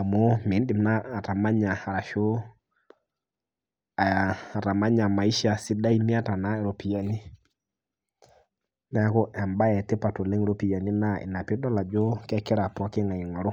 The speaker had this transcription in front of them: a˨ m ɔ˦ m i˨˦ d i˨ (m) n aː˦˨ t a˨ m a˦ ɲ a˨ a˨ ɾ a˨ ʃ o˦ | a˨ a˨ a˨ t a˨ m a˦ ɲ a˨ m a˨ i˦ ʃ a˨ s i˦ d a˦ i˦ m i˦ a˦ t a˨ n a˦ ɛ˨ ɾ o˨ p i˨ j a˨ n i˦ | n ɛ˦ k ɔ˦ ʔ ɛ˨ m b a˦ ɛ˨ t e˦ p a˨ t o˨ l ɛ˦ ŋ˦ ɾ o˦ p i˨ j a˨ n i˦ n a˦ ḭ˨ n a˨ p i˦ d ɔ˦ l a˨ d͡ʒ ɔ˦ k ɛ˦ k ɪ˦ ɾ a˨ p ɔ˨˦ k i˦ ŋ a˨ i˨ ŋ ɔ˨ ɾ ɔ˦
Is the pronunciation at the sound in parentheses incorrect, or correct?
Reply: correct